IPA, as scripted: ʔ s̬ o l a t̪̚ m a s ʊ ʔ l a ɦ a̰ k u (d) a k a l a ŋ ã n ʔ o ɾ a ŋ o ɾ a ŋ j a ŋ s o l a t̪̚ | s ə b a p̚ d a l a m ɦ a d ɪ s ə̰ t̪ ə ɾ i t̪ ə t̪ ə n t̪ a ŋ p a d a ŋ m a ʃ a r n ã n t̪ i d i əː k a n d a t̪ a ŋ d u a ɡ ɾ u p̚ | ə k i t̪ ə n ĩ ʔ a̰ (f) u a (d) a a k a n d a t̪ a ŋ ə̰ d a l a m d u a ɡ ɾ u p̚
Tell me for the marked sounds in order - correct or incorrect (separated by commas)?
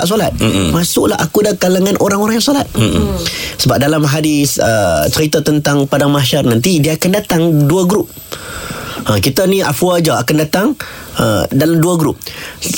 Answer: correct, correct, incorrect